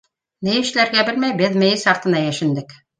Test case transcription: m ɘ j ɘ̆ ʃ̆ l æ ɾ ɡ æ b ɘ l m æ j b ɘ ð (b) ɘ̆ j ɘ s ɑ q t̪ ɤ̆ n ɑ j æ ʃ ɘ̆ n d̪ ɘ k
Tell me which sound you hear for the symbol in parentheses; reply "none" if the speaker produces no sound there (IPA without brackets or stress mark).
m